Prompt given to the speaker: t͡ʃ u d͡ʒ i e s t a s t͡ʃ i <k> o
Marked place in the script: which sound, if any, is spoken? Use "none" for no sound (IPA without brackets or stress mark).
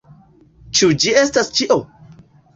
ʔ